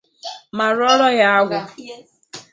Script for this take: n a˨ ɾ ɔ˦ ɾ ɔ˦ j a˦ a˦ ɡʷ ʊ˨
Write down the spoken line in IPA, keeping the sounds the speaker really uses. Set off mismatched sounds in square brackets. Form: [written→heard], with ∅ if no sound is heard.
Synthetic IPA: [n→m] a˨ ɾ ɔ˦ ɾ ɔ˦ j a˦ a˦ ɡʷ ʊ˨